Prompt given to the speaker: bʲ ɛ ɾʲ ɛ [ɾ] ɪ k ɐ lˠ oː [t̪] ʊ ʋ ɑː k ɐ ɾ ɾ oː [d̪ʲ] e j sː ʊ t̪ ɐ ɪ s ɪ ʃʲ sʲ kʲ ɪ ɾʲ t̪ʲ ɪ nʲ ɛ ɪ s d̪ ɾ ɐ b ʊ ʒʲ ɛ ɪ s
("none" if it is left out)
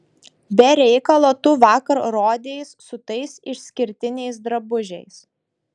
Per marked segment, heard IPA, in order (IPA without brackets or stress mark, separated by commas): none, t̪, d̪ʲ